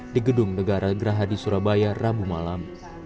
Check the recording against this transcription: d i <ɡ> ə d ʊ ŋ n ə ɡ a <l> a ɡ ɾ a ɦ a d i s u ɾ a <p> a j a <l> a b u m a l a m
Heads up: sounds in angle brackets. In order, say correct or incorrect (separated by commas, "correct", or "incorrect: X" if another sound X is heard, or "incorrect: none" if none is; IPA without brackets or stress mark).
correct, incorrect: ɾ, incorrect: b, incorrect: r